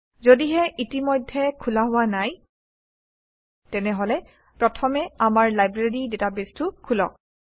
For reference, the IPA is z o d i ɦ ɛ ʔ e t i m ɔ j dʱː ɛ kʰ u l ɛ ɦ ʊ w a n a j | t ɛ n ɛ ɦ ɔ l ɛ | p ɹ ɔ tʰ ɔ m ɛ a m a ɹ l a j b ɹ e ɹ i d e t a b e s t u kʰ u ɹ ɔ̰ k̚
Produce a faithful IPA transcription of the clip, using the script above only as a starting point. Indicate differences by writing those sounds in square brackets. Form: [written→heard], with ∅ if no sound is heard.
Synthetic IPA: z o d i ɦ ɛ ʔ [e→i] t i m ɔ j dʱː ɛ kʰ u l [ɛ→a] ɦ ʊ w a n a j | t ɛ n ɛ ɦ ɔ l ɛ | p ɹ ɔ tʰ ɔ m ɛ a m a ɹ l a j b ɹ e ɹ i d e t a b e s t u kʰ u [ɹ→l] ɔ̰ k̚

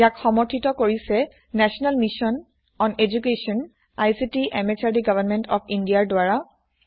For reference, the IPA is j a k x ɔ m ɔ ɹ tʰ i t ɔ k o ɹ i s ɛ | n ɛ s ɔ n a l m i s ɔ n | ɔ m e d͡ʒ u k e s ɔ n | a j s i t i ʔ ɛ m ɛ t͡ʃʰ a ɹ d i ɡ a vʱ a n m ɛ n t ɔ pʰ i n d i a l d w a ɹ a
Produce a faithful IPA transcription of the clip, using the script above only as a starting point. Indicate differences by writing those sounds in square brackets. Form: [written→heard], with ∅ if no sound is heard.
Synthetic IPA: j a k x ɔ m ɔ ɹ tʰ i t ɔ k o ɹ i s ɛ | n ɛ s ɔ n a l m i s ɔ n | ɔ [m→n] e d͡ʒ u k e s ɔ n | a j s i t i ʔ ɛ m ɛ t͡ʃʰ a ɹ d i ɡ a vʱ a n m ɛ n t ɔ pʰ i n d i a [l→ɹ] d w a ɹ a

